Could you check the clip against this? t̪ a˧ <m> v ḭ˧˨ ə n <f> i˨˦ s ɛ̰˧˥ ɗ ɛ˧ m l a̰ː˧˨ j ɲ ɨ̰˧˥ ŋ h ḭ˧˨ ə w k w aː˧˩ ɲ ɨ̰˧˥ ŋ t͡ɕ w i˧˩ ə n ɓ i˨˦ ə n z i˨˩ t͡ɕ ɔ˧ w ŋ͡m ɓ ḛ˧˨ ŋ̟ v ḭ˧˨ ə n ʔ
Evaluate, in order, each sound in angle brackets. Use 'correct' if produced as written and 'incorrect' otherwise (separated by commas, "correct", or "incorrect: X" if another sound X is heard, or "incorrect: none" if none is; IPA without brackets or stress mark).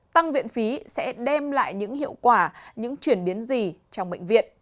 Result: incorrect: ŋ, correct